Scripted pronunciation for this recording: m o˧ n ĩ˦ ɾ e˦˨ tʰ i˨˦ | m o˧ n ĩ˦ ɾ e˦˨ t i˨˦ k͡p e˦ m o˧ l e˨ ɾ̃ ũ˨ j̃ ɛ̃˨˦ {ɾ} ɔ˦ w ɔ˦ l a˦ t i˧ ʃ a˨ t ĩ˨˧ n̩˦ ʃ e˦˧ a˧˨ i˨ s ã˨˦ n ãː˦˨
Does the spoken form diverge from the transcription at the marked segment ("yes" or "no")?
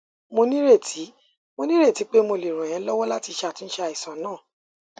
yes